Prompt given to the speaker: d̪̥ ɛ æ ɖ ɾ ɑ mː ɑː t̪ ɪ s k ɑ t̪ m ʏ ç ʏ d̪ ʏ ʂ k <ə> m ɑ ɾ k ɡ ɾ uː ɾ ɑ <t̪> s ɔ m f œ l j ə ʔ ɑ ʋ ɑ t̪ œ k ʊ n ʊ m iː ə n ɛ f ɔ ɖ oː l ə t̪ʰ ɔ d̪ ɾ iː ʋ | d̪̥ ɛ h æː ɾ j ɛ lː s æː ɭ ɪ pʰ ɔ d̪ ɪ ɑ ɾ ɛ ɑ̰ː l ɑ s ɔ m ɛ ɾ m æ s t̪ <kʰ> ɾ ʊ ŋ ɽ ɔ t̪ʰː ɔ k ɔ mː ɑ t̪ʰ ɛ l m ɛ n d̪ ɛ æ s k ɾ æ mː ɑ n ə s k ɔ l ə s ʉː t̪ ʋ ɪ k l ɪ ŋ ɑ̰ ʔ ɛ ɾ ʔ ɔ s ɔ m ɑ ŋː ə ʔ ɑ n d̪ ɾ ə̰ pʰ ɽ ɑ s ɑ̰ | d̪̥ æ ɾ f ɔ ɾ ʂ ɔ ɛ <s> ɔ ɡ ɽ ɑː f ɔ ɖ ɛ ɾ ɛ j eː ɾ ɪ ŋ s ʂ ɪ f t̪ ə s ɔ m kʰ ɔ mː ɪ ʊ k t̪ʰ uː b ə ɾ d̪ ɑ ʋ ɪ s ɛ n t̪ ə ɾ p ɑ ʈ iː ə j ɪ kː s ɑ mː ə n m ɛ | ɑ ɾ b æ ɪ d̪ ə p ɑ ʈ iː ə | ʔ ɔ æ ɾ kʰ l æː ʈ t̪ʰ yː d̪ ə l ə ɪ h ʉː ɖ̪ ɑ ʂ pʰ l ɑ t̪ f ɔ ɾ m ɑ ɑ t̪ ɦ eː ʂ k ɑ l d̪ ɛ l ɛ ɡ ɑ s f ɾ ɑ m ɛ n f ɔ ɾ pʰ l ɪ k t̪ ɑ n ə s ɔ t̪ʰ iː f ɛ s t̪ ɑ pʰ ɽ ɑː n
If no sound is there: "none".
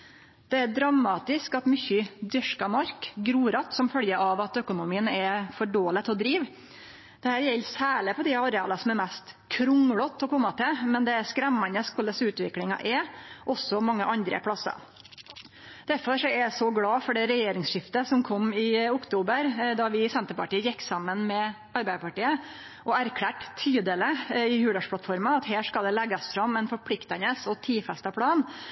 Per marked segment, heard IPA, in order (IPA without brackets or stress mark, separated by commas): ɑ, t̪, kʰ, s